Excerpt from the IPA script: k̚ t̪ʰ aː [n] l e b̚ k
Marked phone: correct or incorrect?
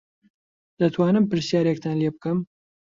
correct